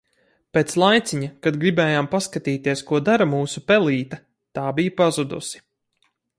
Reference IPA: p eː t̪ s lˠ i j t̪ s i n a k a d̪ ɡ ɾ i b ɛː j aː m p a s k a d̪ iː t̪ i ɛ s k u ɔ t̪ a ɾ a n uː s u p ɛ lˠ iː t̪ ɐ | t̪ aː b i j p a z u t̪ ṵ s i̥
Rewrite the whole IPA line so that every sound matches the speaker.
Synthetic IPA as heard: p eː t̪ s lˠ a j t̪ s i ɲ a k a d̪ ɡ ɾ i b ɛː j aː m p a s k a t̪ iː t̪ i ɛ s k u ɔ d̪ a ɾ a m uː s u p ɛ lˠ iː t̪ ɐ | t̪ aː b i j p a z u d̪ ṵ s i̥